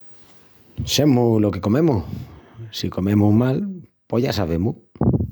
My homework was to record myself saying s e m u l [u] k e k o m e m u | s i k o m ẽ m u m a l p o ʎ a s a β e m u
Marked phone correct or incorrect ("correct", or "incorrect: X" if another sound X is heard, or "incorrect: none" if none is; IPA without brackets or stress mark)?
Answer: incorrect: o